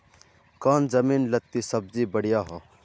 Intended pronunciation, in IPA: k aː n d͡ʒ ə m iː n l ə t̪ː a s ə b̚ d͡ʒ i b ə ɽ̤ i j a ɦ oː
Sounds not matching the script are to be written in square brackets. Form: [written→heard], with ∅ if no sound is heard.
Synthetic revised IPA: k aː n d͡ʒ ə m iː n l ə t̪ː [a→i] s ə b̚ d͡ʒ i b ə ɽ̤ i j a ɦ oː